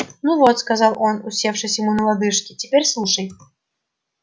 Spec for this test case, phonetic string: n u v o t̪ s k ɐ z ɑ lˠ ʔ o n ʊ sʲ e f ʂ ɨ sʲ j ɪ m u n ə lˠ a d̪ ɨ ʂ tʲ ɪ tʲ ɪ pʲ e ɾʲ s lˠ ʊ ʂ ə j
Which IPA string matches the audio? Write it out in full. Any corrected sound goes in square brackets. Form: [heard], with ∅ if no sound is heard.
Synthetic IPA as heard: n u v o t̪ s k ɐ z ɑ lˠ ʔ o n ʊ sʲ e f ʂ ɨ sʲ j ɪ m u n ə lˠ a d̪ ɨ ʂ [kʲ] ɪ tʲ ɪ pʲ e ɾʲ s lˠ [u] ʂ ə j